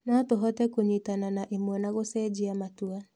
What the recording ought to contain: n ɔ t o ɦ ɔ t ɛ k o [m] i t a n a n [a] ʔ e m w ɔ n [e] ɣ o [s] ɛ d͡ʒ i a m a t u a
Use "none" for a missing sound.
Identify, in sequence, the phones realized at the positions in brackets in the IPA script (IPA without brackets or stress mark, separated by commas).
ɲ, a, a, s